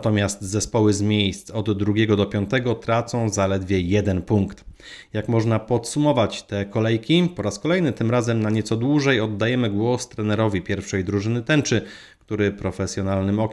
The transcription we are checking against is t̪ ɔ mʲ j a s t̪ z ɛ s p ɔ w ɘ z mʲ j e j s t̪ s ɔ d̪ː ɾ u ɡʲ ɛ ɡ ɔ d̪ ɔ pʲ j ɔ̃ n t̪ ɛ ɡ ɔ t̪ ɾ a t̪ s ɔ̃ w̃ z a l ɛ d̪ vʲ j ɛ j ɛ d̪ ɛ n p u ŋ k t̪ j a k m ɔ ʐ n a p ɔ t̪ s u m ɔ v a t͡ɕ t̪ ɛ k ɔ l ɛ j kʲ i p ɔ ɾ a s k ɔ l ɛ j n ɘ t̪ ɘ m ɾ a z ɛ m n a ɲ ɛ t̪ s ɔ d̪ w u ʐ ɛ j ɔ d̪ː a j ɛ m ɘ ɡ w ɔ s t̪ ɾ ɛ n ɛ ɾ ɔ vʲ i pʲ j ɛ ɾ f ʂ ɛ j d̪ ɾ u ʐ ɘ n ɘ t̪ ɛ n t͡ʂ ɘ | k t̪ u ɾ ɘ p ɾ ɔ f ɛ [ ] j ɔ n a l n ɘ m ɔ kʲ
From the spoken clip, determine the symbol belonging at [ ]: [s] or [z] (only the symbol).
s